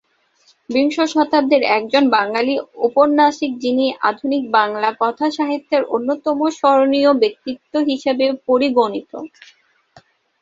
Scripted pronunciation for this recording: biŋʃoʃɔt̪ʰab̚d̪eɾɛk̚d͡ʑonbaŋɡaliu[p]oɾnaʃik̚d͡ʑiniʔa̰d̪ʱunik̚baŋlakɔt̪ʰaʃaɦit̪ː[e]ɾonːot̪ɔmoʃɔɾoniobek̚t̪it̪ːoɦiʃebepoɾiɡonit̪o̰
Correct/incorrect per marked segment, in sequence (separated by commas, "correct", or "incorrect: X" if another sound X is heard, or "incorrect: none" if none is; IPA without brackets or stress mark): correct, correct